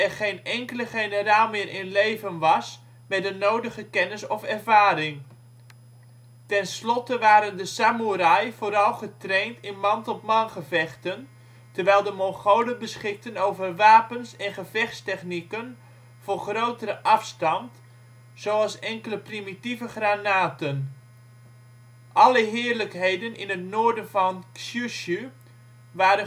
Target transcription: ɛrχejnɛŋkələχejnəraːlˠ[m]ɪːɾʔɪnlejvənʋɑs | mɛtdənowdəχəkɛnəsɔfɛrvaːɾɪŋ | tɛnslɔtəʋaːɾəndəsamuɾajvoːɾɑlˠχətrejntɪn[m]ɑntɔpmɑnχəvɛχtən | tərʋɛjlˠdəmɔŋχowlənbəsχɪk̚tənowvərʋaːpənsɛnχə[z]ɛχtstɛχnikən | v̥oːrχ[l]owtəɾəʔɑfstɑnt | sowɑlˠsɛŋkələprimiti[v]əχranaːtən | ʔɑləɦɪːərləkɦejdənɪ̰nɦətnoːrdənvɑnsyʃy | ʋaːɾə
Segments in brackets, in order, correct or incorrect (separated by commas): correct, correct, incorrect, incorrect, correct